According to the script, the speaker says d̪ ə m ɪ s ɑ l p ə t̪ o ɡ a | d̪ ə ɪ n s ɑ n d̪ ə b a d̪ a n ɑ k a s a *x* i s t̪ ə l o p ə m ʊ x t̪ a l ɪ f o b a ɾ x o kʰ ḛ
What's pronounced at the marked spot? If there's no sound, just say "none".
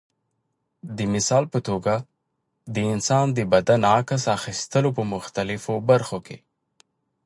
x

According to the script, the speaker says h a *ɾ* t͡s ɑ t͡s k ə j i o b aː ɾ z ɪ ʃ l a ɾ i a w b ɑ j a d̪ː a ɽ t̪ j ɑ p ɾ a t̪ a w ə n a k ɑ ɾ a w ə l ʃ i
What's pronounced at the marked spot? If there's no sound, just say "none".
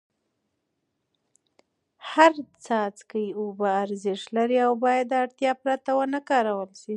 ɾ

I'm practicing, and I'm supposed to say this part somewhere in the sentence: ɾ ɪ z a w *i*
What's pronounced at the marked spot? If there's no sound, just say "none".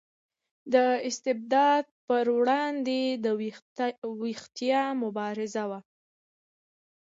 a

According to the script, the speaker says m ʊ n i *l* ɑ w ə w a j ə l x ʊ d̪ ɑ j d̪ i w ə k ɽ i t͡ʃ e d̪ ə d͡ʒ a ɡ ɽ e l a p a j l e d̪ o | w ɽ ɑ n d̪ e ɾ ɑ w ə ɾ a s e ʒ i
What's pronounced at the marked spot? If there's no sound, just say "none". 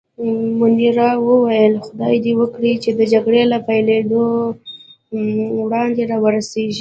ɾ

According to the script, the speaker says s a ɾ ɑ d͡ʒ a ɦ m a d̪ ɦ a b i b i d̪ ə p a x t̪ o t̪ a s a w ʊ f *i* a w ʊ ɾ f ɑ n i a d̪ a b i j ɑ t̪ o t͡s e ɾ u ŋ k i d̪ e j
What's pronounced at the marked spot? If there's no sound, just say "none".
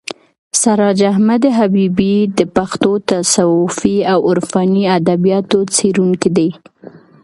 i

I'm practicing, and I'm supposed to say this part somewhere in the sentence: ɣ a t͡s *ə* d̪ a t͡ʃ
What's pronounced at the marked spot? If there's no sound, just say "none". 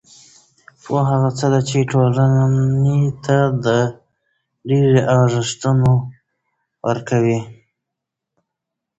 ə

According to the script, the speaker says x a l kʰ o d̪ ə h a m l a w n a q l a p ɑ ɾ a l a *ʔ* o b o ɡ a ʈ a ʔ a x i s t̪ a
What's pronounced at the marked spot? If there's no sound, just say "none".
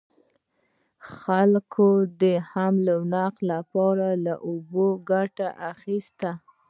ʔ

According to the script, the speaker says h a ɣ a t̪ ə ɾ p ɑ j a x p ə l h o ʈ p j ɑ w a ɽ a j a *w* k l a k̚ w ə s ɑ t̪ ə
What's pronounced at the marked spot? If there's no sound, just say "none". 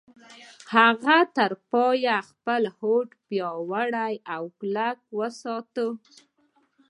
w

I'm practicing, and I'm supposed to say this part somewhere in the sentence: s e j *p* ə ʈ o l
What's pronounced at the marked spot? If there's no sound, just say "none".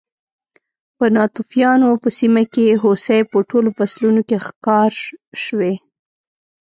p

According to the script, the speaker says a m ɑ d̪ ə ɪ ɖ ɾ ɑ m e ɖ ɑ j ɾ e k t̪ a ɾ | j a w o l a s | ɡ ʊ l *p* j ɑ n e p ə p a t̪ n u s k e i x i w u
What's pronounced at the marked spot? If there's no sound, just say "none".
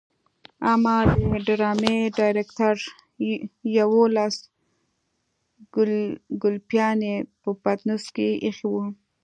p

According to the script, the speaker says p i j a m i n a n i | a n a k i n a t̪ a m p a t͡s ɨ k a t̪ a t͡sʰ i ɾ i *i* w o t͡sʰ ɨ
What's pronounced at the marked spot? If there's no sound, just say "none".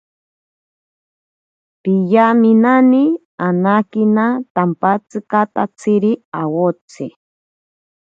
a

